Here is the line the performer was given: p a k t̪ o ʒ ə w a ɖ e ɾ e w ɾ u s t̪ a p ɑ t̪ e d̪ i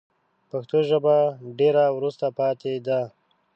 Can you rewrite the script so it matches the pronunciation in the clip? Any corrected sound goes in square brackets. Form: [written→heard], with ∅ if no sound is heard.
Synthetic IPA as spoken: p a [k→x] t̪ o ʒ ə [w→b] a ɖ e ɾ [e→a] w ɾ u s t̪ a p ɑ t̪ e d̪ [i→a]

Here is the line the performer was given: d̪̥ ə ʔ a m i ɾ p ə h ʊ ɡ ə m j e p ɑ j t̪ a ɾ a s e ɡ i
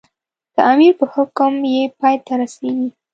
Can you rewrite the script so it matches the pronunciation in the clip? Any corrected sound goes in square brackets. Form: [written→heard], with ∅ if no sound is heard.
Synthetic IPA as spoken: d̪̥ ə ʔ a m i ɾ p ə h ʊ [ɡ→k] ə m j e p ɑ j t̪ a ɾ a s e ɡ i

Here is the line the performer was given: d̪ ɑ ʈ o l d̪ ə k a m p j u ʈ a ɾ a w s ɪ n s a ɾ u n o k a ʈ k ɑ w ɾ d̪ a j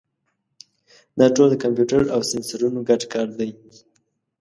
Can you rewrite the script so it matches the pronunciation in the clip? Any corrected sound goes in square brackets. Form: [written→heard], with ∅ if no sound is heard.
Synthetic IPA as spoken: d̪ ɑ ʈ o l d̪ ə k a m p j u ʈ a ɾ a w s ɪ n s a ɾ u n o [k→ɡ] a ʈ k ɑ [w→∅] ɾ d̪ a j

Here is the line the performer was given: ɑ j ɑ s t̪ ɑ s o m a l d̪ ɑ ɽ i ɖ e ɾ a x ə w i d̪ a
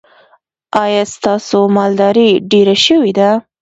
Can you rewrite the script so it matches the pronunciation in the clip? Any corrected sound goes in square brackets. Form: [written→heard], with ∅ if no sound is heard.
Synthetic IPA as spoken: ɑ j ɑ s t̪ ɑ s o m [a→ɑ] l d̪ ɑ [ɽ→ɾ] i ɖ e ɾ a [x→ʃ] ə w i d̪ a

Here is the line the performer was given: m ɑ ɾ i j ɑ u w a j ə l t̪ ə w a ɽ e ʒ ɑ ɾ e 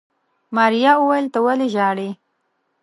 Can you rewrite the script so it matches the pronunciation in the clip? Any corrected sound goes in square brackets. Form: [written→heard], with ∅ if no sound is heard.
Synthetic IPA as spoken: m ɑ ɾ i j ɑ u w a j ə l t̪ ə w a [ɽ→l] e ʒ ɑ [ɾ→ɽ] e

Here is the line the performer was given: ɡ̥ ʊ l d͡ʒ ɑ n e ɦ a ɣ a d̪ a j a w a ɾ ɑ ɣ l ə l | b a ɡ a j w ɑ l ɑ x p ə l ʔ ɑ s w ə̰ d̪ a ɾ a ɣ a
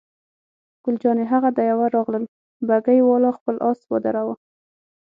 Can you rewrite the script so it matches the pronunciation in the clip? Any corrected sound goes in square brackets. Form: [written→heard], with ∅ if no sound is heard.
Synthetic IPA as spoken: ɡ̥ ʊ l d͡ʒ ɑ n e ɦ a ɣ a d̪ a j a w a ɾ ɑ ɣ l ə l | b a ɡ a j w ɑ l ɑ x p ə l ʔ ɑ s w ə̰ d̪ a ɾ a [ɣ→w] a

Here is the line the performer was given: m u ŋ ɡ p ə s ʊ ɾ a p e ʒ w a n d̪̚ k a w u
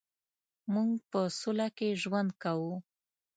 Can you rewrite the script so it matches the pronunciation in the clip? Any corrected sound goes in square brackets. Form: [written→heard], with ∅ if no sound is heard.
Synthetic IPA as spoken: m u ŋ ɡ p ə s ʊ [ɾ→l] a [p→k] e ʒ w a n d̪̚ k a w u

